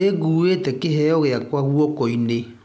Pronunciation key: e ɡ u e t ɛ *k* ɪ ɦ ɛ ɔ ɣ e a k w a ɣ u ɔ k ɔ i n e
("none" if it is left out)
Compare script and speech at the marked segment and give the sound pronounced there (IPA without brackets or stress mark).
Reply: k